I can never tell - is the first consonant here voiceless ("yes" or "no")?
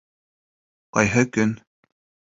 yes